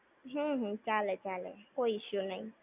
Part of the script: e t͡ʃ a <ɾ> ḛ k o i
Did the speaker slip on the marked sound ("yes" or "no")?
yes